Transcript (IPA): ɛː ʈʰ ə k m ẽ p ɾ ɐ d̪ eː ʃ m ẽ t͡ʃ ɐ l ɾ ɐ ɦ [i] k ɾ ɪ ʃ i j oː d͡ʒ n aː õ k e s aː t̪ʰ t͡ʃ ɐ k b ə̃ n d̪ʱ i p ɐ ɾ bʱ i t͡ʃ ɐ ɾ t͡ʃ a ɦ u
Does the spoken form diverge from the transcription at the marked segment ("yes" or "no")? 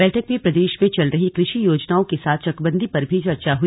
no